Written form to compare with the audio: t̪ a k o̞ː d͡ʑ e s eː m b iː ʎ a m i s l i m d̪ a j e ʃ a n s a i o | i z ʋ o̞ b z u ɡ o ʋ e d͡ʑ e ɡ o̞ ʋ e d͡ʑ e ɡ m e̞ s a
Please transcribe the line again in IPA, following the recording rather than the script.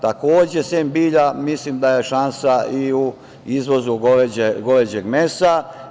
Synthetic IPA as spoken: t̪ a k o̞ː d͡ʑ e s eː m b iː ʎ a m i s l i m d̪ a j e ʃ a n s a i u | i z ʋ o̞ z u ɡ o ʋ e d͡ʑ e ɡ o̞ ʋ e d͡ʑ e ɡ m e̞ s a

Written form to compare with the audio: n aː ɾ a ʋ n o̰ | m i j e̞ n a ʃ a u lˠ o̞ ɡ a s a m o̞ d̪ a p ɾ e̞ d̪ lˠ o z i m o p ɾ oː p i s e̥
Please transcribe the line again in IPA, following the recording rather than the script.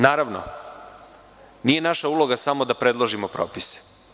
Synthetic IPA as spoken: n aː ɾ a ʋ n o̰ | n i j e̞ n a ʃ a u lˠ o̞ ɡ a s a m o̞ d̪ a p ɾ e̞ d̪ lˠ o ʒ i m o p ɾ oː p i s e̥

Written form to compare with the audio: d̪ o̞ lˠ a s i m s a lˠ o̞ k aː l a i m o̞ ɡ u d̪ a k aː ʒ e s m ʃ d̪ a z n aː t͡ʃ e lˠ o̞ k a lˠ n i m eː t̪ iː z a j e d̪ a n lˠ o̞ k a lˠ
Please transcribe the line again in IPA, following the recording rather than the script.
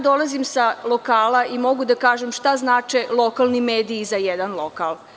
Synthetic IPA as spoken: d̪ o̞ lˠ a z i m s a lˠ o̞ k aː l a i m o̞ ɡ u d̪ a k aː ʒ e m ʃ t̪ a z n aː t͡ʃ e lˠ o̞ k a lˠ n i m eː d̪ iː z a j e d̪ a n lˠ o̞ k a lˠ

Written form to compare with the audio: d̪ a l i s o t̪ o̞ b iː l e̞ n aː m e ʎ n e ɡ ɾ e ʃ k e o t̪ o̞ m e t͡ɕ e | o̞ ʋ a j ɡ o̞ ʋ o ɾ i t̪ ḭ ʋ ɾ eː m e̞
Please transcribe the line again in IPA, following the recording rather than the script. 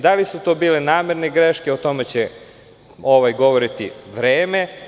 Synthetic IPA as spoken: d̪ a l i s u t̪ o̞ b iː l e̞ n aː m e ɾ n e ɡ ɾ e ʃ k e o t̪ o̞ m e t͡ɕ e | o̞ ʋ a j ɡ o̞ ʋ o ɾ i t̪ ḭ ʋ ɾ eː m e̞

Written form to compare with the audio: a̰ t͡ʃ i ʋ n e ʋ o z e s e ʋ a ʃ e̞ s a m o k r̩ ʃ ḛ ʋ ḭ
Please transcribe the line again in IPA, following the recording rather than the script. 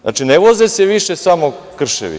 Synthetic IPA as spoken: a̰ t͡ʃ i n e ʋ o z e s e ʋ i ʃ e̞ s a m o k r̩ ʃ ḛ ʋ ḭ

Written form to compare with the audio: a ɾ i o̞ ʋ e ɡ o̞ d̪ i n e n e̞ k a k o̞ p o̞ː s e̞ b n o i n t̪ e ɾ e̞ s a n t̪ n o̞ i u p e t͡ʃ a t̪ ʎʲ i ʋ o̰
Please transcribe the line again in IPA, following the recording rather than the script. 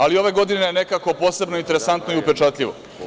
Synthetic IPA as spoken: a l i o̞ ʋ e ɡ o̞ d̪ i n e n e̞ k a k o̞ p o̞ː s e̞ b n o i n t̪ e ɾ e̞ s a n t̪ n o̞ i u p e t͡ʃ a t̪ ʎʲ i ʋ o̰

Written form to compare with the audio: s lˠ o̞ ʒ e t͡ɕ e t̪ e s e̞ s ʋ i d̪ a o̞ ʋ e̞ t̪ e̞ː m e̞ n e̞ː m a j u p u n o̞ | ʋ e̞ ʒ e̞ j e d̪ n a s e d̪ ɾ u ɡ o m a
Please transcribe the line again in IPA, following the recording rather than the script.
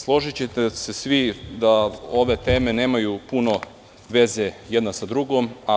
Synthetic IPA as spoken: s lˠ o̞ ʒ i t͡ɕ e t̪ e s e̞ s ʋ i d̪ a o̞ ʋ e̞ t̪ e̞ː m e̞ n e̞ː m a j u p u n o̞ | ʋ e̞ z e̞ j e d̪ n a s a d̪ ɾ u ɡ o m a

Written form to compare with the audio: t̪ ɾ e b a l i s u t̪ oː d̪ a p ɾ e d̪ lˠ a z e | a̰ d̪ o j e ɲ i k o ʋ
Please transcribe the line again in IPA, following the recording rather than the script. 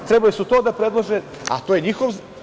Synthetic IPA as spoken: t̪ ɾ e b a l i s u t̪ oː d̪ a p ɾ e d̪ lˠ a ʒ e | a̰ t̪ o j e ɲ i x o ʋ

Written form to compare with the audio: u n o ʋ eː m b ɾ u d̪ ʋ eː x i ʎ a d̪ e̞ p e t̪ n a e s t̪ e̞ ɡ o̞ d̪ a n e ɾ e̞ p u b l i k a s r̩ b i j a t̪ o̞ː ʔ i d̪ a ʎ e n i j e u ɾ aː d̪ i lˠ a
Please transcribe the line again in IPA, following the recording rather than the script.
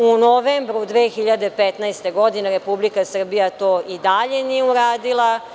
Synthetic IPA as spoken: u n o ʋ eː m b ɾ u d̪ ʋ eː x i ʎ a d̪ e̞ p e t̪ n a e s t̪ e̞ ɡ o̞ d̪ i n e ɾ e̞ p u b l i k a s r̩ b i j a t̪ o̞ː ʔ i d̪ a ʎ e n i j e u ɾ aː d̪ i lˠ a

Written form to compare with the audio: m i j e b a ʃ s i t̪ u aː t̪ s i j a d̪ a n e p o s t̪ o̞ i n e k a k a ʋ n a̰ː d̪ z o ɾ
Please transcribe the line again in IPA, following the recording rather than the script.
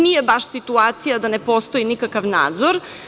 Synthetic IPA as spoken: n i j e b a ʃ s i t̪ u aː t̪ s i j a d̪ a n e p o s t̪ o̞ i n i k a k a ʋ n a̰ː d̪ z o ɾ

